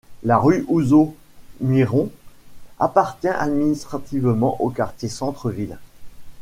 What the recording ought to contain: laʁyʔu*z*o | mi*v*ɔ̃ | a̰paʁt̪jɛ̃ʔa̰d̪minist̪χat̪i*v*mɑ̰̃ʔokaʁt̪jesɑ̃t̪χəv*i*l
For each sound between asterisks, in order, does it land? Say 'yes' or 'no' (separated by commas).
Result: yes, no, yes, yes